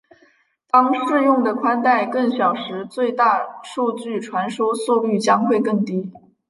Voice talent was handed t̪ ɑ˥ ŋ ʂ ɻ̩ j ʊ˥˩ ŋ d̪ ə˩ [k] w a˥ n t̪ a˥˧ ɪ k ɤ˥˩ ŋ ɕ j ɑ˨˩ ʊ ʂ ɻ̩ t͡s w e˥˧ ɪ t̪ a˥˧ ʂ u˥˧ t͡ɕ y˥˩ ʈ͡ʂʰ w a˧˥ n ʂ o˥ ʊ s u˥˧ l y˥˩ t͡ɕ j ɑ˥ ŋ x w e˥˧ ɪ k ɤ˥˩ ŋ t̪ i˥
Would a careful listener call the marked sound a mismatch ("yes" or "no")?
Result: yes